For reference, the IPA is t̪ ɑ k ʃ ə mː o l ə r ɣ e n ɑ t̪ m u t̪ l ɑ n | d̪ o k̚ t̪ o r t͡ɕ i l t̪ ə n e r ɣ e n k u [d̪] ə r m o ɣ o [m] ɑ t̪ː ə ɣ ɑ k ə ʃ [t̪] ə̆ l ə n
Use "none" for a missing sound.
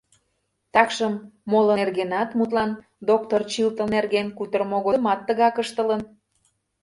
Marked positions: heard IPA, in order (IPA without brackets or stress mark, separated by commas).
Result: t̪, m, t̪